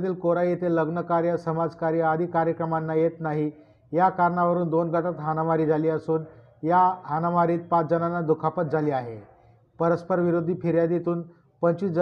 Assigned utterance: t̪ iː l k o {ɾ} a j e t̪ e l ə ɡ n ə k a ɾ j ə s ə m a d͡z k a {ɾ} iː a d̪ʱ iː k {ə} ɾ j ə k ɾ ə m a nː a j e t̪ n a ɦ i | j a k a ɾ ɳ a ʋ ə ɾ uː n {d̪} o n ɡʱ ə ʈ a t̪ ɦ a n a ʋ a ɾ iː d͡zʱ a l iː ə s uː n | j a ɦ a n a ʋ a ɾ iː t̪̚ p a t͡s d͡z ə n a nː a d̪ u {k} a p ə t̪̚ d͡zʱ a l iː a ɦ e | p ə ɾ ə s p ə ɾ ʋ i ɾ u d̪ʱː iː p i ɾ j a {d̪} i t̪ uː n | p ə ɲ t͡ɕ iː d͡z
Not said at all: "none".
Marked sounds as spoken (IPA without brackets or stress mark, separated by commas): ɾ, ɾ, a, d̪, kʰ, d̪